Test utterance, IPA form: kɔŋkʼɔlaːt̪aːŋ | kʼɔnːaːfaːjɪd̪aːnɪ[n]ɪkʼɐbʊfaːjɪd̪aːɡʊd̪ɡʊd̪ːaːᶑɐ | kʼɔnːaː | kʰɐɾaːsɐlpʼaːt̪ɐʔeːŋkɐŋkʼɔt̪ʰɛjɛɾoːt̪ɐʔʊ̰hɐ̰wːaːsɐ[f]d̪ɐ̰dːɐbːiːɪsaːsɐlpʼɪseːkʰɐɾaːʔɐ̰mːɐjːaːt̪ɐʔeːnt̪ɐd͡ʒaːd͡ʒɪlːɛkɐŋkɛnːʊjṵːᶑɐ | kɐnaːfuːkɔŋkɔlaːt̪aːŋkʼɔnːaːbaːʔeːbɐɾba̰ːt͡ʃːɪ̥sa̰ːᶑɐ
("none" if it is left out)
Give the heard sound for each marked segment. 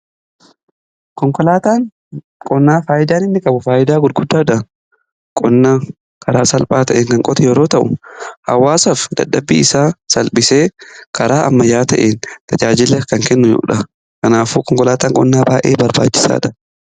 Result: nː, f

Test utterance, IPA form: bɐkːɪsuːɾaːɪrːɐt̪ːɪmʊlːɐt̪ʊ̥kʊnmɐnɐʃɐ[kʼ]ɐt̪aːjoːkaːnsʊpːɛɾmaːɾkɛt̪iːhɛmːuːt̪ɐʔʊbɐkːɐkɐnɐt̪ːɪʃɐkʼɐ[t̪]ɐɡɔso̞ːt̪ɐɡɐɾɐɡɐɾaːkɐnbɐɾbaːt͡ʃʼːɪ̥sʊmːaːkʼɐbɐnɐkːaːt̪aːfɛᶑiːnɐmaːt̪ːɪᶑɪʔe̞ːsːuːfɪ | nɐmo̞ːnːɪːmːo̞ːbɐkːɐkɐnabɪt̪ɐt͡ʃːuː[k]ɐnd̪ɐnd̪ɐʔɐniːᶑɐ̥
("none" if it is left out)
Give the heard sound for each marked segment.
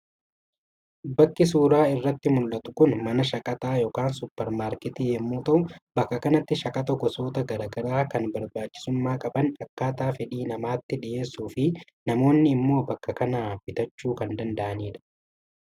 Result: kʼ, t̪, k

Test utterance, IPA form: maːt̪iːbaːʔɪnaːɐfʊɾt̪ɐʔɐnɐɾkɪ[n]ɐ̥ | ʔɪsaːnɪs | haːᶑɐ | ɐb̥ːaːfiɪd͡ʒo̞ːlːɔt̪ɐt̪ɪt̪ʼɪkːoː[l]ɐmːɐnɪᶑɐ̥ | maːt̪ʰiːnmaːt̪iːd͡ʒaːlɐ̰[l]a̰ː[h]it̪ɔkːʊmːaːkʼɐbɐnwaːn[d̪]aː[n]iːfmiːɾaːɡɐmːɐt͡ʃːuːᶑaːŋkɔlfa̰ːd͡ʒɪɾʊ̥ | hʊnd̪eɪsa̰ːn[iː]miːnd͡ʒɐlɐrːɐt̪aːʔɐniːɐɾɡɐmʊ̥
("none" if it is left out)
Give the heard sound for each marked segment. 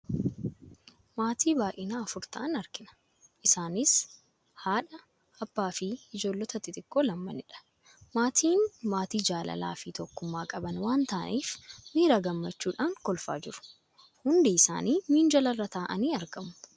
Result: n, l, l, f, t̪, n, iː

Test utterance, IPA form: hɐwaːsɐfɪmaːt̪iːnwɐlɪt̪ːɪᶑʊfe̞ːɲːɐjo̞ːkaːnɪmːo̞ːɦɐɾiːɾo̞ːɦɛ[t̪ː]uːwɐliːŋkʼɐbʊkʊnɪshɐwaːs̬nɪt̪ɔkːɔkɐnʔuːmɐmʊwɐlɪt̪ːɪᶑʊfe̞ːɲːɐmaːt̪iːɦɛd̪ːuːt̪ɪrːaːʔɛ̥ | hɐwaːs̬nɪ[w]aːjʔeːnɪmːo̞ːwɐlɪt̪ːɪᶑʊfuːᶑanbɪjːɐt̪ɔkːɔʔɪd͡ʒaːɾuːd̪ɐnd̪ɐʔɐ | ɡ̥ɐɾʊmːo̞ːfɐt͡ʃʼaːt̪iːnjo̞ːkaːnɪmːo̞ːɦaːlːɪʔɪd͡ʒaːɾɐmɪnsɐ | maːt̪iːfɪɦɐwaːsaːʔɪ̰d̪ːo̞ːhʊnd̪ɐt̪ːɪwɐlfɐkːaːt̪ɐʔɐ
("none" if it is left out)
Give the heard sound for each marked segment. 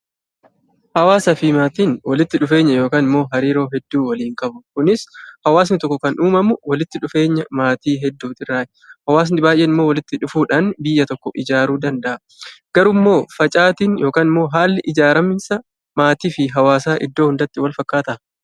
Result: d̪ː, b

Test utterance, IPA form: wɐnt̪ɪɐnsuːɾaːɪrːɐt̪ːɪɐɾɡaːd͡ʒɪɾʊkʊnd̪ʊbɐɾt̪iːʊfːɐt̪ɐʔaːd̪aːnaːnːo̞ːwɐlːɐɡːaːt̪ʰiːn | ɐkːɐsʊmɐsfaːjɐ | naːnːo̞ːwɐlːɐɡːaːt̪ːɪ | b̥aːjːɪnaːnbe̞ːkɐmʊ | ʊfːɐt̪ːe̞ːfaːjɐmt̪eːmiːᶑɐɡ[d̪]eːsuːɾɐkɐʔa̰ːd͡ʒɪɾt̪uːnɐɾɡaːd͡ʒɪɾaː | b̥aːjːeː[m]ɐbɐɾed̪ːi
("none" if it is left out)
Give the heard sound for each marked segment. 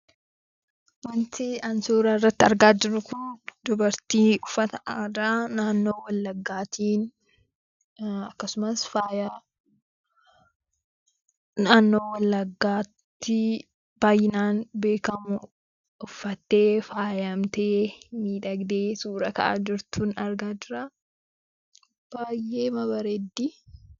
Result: d̪, m

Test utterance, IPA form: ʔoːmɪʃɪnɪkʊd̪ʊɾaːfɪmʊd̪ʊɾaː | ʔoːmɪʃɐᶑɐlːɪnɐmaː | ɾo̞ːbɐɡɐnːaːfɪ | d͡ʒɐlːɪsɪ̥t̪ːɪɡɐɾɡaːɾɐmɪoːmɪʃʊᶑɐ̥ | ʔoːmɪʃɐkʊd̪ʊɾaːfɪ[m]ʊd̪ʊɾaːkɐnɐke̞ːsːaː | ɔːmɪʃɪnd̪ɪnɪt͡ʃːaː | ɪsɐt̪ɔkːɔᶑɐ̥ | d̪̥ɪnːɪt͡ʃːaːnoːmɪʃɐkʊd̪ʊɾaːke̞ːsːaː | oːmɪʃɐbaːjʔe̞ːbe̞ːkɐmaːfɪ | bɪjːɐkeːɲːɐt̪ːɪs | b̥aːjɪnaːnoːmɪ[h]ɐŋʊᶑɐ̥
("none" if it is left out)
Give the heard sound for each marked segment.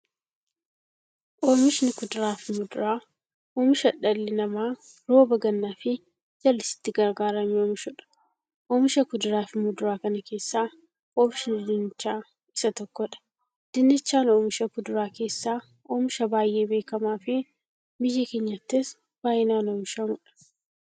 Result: m, ʃ

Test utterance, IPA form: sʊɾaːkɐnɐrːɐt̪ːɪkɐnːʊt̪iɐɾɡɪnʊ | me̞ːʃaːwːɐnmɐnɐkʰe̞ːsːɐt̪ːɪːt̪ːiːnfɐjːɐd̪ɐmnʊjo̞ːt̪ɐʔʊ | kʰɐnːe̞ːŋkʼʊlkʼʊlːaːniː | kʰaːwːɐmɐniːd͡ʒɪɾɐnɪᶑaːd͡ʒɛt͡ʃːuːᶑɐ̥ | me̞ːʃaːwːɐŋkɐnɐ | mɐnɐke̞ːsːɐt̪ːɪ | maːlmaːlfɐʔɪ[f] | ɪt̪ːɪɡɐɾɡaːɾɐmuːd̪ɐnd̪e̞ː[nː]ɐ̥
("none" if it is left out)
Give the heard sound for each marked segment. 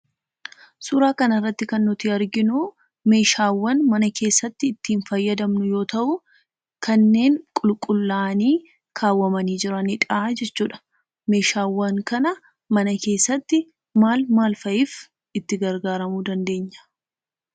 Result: f, ɲː

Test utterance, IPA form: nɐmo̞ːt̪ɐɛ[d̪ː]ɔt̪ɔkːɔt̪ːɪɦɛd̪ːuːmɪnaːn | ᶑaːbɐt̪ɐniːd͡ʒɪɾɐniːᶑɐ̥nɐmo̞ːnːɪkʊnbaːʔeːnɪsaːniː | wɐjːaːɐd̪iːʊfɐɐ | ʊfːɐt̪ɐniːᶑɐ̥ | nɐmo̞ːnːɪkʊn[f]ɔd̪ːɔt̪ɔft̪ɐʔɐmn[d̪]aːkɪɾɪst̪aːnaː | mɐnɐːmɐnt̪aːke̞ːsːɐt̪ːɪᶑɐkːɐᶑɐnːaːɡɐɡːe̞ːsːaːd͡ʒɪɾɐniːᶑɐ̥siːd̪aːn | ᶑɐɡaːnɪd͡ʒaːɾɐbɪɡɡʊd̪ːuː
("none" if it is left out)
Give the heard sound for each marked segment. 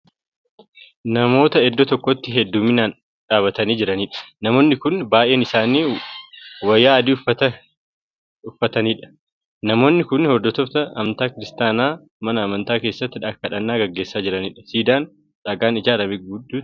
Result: d̪ː, h, t̪

